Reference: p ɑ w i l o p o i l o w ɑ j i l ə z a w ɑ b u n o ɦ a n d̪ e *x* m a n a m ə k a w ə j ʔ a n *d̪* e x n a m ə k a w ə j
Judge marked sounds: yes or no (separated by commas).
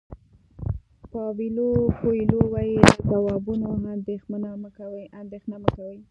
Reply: yes, yes